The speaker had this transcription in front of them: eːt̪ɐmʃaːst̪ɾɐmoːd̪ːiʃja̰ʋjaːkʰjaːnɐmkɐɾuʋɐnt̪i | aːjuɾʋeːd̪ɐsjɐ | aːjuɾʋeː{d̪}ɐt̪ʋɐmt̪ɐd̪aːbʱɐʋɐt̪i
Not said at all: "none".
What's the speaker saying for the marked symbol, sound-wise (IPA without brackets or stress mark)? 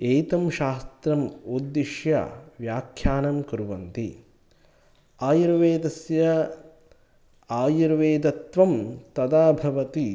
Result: d̪